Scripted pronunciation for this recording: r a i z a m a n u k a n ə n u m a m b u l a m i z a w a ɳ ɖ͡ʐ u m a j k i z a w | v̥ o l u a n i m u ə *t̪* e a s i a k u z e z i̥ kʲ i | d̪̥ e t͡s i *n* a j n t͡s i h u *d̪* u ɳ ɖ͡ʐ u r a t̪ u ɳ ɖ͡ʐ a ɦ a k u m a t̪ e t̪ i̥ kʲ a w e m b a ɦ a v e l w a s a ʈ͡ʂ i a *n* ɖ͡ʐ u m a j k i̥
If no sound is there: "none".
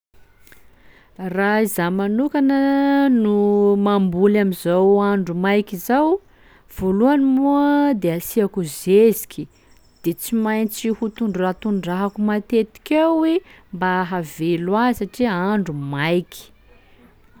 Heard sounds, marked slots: d̪, m, t̪, ɳ

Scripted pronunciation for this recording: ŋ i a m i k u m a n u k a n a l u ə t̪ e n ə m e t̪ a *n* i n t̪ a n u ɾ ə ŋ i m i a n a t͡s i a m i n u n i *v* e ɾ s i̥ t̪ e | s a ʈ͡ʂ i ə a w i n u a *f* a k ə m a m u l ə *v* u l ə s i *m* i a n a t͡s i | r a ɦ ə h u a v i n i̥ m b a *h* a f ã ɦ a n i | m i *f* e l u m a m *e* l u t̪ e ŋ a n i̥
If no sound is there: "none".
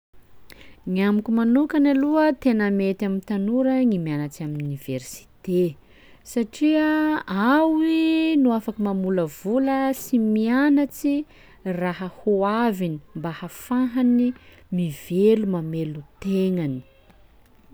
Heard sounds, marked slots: m, v, f, v, m, h, v, e

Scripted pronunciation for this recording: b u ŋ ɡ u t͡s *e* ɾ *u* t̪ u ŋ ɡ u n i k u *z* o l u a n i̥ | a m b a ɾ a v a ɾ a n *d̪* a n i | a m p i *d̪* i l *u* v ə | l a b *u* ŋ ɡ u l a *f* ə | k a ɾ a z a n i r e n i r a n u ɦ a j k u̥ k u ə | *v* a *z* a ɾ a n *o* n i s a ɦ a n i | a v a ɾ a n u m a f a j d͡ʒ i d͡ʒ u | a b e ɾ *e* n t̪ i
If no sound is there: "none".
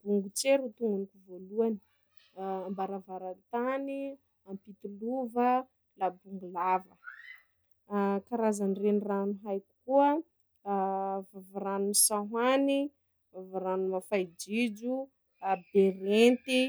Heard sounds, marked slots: e, u, v, t̪, t̪, u, u, v, v, v, u, e

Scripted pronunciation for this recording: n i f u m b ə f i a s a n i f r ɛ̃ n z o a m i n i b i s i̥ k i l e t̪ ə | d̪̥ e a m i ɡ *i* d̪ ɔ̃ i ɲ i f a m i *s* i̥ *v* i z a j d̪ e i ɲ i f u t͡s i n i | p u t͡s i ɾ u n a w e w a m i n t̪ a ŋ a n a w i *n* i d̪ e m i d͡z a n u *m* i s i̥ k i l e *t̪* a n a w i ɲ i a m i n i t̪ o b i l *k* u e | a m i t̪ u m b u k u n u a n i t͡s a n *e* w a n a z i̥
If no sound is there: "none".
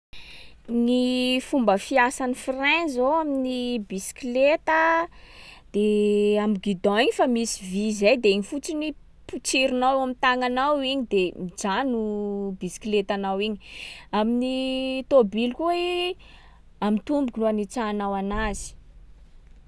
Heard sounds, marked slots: i, s, v, ɲ, b, t̪, k, a

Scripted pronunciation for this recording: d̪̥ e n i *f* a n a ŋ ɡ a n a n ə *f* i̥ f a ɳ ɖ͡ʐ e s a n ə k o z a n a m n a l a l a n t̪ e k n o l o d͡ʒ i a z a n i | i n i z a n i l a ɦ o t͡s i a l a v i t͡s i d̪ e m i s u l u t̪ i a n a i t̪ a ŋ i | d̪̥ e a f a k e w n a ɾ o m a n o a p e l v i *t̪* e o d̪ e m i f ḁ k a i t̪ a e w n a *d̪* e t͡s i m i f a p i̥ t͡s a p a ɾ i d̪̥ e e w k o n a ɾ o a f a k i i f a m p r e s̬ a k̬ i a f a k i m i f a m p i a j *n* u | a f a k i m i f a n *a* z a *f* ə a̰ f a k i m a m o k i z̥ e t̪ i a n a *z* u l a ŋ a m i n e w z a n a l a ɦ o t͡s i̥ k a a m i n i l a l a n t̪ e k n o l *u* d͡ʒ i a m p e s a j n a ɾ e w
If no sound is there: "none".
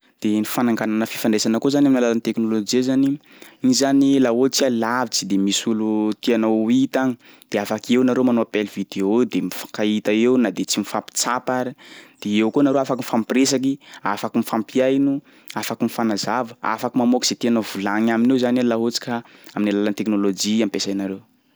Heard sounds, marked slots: f, f, d̪, d̪, n, a, v, v, o

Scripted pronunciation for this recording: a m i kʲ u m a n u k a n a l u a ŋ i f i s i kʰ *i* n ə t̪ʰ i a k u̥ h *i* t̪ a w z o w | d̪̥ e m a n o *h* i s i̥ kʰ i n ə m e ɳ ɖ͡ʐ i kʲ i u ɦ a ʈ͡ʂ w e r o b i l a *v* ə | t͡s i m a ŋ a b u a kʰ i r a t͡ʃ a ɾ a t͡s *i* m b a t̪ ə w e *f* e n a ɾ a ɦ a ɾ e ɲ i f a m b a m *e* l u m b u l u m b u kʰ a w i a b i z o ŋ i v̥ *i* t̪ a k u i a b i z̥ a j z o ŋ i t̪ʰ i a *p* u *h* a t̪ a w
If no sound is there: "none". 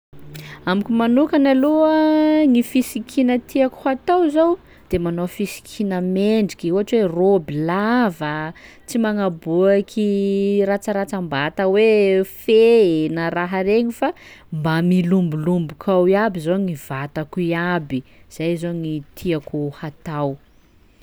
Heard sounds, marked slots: i, a, f, v, a, f, i, a, k, h

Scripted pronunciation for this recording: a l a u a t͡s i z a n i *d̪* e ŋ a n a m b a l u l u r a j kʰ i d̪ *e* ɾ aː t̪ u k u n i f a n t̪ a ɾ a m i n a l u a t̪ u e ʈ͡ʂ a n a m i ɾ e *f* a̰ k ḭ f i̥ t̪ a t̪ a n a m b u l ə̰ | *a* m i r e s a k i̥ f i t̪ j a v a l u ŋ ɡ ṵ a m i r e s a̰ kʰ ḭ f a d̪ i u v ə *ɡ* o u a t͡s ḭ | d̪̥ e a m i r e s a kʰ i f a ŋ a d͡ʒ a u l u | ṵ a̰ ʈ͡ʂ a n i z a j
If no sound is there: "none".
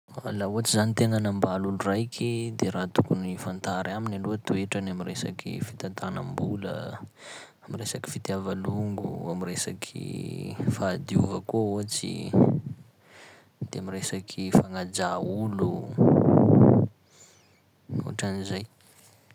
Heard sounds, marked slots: t̪, e, s, a, k

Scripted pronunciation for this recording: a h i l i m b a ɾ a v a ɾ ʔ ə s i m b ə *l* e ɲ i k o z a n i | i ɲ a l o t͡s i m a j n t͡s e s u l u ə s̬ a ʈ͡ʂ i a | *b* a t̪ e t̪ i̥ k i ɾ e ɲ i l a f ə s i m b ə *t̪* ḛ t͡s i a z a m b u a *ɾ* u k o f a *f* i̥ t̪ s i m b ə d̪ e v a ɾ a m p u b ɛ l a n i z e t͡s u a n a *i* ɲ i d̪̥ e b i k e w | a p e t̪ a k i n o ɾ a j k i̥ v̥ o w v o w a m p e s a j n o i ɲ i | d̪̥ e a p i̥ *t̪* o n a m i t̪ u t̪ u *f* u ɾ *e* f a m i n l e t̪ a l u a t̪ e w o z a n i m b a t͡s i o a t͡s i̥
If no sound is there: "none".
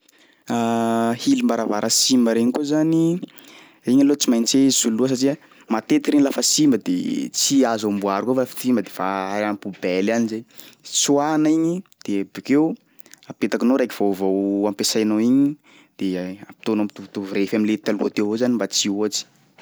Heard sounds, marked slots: ɾ, m, d̪, ɾ, f, i, t̪, v, e

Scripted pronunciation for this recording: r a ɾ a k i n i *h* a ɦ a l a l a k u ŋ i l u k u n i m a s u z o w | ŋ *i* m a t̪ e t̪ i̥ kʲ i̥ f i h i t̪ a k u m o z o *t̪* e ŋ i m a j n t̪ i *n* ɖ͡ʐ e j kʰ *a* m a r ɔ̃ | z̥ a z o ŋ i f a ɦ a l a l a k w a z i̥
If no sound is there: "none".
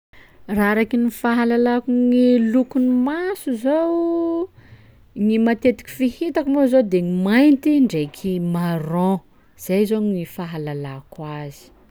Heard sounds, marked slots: f, i, d̪, ɳ, i

